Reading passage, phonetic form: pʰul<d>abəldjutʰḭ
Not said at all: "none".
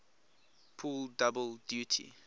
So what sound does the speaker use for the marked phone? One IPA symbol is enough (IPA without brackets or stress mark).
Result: d